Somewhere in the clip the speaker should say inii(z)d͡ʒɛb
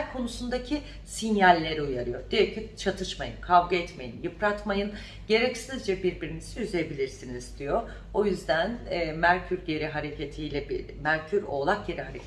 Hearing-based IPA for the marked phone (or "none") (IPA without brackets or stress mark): z